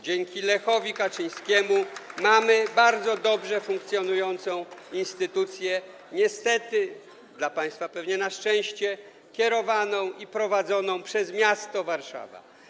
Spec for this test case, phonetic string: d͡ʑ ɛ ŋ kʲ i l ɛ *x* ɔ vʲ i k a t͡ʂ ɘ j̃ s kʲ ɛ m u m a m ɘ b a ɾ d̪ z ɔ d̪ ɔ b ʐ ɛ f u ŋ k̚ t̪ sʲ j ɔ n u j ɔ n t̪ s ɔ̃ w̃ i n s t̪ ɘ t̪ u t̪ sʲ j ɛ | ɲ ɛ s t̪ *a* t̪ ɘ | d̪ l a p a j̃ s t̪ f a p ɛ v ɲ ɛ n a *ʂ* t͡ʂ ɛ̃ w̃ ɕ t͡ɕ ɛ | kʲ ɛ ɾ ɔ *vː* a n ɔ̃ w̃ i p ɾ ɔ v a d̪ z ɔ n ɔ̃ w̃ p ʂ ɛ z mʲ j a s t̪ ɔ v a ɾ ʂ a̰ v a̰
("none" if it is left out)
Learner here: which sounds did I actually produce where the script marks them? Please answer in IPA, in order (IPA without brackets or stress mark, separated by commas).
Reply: x, ɛ, ʂ, v